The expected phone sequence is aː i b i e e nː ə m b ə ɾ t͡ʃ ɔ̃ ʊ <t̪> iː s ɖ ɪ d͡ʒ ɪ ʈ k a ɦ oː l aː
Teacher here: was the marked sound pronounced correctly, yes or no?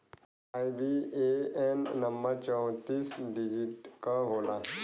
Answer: yes